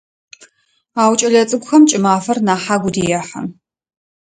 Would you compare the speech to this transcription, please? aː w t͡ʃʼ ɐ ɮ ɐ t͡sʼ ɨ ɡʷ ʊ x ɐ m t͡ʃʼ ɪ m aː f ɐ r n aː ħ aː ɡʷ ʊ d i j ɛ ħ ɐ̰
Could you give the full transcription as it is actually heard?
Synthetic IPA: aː w t͡ʃʼ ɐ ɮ ɐ t͡sʼ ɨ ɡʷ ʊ x ɐ m t͡ʃʼ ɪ m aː f ɐ r n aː ħ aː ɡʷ ʊ d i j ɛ ħ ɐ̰

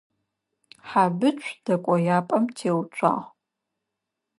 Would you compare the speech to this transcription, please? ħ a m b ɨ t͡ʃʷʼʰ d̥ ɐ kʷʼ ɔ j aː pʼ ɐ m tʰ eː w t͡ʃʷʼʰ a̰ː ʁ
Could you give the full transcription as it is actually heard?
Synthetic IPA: ħ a b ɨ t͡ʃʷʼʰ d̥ ɐ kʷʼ ɔ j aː pʼ ɐ m tʰ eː w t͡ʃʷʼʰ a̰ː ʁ

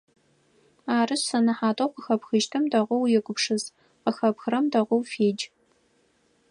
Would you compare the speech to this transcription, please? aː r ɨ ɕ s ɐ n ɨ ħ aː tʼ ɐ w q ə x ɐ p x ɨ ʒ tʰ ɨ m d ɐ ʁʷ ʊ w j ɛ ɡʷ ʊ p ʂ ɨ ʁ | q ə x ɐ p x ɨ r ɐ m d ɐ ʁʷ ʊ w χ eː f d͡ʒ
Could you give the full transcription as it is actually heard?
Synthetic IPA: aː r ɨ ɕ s ɐ n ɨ ħ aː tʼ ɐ w q ə x ɐ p x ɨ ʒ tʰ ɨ m d ɐ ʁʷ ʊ w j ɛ ɡʷ ʊ p ʂ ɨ z | q ə x ɐ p x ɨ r ɐ m d ɐ ʁʷ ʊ w f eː d͡ʒ

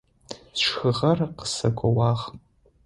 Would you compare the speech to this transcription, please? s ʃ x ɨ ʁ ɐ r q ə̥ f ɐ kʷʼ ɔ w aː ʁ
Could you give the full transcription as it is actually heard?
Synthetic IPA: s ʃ x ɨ ʁ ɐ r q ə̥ s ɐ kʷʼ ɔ w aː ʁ

